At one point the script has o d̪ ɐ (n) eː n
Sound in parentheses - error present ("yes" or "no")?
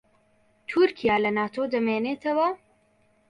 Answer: yes